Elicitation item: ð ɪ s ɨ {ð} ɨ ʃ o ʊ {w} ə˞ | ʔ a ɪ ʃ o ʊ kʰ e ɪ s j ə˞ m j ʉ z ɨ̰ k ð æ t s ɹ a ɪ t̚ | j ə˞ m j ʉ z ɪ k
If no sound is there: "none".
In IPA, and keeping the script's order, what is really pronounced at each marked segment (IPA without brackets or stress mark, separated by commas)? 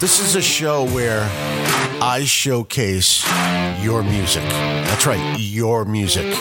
z, w